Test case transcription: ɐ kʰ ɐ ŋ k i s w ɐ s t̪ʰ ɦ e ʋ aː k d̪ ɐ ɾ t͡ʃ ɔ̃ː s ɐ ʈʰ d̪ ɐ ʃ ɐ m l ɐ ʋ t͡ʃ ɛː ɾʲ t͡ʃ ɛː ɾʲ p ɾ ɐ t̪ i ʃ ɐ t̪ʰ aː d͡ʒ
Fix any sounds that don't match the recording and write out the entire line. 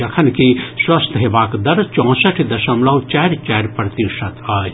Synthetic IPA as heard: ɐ kʰ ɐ n k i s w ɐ s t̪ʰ ɦ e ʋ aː k d̪ ɐ ɾ t͡ʃ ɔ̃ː s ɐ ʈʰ d̪ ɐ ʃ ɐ m l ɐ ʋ t͡ʃ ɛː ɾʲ t͡ʃ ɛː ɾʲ p ɾ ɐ t̪ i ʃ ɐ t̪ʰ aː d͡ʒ